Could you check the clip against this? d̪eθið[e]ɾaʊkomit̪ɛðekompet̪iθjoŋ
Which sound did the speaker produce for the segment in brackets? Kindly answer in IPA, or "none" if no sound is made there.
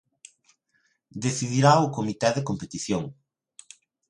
i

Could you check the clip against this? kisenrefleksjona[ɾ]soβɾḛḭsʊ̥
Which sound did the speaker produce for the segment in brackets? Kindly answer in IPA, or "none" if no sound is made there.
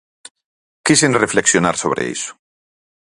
ɾ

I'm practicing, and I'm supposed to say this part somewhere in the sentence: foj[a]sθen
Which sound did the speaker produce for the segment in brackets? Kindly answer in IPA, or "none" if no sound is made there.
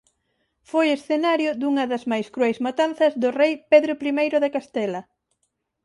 e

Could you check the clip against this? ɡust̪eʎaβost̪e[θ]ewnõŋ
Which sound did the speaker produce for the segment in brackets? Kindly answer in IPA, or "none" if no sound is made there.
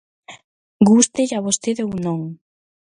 ð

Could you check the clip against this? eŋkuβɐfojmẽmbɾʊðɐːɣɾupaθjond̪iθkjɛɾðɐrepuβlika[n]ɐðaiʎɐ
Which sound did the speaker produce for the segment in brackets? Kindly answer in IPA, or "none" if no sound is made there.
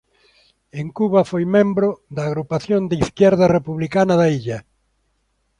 n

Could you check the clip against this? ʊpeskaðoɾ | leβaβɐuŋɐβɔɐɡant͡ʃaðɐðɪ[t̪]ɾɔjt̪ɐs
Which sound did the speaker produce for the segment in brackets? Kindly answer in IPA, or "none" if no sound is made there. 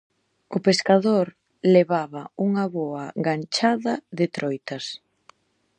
t̪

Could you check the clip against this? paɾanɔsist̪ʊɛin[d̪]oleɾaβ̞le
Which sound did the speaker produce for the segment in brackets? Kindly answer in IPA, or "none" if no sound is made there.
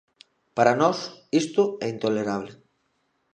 t̪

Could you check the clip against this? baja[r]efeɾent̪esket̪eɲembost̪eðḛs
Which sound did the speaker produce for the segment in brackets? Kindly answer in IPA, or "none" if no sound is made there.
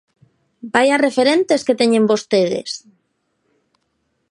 r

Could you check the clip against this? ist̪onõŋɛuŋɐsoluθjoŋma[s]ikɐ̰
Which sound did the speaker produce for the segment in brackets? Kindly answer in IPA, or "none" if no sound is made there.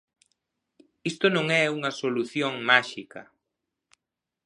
ʃ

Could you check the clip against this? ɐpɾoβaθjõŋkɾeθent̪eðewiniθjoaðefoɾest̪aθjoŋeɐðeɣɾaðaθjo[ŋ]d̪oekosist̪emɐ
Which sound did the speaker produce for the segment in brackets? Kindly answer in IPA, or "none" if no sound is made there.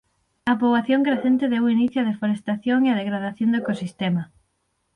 n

